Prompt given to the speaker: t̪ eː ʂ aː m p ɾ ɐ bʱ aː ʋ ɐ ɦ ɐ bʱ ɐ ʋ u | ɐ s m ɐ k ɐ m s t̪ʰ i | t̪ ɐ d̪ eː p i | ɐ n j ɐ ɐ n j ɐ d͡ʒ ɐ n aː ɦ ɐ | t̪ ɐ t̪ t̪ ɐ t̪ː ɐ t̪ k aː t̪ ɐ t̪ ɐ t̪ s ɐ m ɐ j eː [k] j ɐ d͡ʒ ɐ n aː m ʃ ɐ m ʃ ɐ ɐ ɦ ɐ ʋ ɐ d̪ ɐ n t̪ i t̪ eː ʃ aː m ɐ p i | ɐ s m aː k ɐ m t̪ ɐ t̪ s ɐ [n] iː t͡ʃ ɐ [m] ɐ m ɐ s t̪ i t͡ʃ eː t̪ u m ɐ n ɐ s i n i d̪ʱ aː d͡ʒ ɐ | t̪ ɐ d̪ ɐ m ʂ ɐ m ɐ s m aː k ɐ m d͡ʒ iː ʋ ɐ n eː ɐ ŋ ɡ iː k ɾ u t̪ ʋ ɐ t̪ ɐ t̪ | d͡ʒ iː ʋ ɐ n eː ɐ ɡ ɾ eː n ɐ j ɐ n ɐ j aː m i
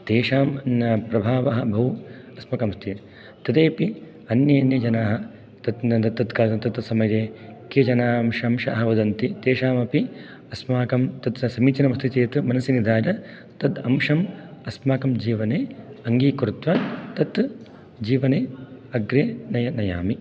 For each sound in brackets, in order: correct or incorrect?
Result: correct, incorrect: m, incorrect: n

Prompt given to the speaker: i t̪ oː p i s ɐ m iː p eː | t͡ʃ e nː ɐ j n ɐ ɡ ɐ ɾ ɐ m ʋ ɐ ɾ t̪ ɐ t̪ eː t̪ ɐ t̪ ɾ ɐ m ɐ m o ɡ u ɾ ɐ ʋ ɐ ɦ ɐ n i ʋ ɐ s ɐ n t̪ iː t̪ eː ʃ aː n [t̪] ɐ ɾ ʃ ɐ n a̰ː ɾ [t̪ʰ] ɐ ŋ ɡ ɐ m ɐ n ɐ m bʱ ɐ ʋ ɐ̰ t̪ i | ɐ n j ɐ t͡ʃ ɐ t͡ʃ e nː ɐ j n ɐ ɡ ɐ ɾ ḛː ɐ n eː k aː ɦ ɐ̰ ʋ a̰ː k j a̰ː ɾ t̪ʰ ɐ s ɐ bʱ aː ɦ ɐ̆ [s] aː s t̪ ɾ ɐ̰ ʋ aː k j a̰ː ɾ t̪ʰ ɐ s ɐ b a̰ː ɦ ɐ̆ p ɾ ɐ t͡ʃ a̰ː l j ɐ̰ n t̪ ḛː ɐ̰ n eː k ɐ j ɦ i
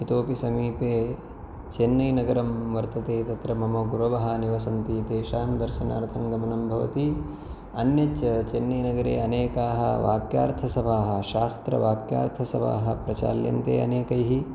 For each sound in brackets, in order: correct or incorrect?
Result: incorrect: d̪, correct, incorrect: ʃ

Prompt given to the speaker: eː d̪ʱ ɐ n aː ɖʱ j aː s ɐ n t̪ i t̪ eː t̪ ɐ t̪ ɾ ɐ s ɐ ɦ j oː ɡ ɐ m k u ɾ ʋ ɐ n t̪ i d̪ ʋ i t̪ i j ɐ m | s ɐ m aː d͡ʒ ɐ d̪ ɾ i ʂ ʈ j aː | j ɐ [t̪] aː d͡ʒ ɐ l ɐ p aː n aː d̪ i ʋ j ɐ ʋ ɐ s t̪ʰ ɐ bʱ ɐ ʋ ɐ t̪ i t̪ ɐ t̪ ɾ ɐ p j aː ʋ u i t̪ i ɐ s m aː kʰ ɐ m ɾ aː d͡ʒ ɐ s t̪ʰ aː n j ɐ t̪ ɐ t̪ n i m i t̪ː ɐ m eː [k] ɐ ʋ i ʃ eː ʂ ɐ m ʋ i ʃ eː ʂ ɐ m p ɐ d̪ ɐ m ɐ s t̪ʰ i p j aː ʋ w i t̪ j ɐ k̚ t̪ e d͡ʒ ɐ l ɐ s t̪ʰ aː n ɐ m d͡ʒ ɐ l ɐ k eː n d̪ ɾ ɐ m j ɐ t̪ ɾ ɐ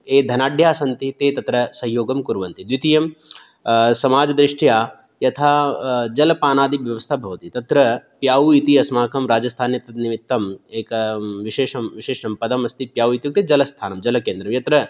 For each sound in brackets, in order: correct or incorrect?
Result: incorrect: t̪ʰ, correct

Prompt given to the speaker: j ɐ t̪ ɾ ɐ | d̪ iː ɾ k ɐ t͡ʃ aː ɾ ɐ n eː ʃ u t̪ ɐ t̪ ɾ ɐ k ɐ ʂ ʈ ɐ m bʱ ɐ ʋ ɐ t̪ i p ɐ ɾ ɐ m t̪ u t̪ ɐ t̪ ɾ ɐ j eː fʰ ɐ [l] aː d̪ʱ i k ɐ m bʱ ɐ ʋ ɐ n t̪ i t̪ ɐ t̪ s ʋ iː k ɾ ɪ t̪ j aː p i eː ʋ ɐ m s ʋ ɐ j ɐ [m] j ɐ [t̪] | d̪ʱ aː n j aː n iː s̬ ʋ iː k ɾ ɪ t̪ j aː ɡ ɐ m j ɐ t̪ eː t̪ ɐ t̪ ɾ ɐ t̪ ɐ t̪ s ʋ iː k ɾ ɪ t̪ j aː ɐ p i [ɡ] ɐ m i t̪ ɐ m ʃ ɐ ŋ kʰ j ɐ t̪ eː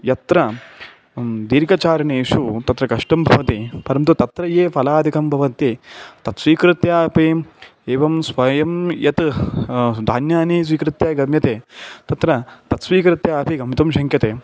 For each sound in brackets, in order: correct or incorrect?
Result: correct, correct, correct, correct

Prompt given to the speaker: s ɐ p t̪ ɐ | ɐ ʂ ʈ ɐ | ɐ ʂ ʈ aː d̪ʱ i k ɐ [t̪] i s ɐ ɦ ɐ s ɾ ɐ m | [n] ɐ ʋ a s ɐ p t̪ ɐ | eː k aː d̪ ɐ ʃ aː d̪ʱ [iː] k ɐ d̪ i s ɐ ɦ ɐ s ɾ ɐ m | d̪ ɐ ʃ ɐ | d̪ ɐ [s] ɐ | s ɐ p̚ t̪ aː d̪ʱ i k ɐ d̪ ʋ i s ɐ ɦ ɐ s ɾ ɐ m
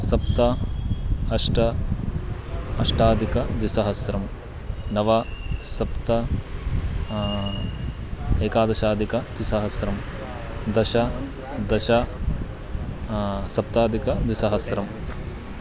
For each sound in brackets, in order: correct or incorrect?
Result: incorrect: d̪, correct, incorrect: i, incorrect: ʃ

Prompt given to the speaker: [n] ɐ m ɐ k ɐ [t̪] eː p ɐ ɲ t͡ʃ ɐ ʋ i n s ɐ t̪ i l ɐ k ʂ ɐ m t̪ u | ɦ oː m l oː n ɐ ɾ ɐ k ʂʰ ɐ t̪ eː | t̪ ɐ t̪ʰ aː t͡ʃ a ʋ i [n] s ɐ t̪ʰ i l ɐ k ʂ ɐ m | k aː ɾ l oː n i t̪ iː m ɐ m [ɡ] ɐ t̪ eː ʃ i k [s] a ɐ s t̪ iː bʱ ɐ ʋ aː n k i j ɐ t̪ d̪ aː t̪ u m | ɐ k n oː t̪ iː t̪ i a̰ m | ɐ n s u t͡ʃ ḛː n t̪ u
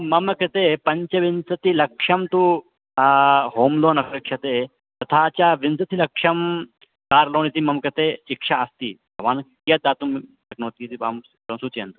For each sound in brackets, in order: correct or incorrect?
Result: incorrect: m, correct, correct, incorrect: k, incorrect: ʂ

